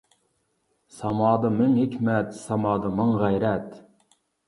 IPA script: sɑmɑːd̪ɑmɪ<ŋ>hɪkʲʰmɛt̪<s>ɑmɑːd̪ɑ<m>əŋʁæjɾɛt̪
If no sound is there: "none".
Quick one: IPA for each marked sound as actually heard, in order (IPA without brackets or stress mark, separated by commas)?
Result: ŋ, s, m